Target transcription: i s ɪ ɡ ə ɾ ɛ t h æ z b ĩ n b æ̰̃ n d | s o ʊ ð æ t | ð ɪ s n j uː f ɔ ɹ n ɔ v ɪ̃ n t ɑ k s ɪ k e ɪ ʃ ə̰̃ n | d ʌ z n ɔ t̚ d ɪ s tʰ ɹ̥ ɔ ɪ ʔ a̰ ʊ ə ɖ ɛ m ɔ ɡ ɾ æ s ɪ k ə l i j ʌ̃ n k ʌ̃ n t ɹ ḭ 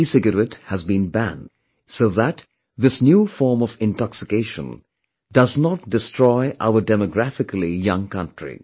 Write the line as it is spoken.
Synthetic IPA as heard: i s ɪ ɡ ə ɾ ɛ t h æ z b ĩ n b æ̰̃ n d | s o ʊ ð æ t | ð ɪ s n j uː f ɔ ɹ m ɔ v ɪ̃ n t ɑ k s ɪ k e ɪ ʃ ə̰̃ n | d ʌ z n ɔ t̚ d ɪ s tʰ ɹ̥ ɔ ɪ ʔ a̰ ʊ ə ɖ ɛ m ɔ ɡ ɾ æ f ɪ k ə l i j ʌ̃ ŋ k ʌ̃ n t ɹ ḭ